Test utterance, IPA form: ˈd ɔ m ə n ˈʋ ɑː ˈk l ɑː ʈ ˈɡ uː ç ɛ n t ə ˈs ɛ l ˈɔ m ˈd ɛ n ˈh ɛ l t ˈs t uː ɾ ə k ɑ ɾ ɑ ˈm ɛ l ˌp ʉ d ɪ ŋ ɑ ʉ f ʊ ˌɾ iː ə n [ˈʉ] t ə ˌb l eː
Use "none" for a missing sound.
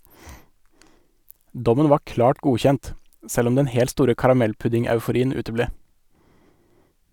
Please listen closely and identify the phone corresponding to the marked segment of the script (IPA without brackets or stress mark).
ʉː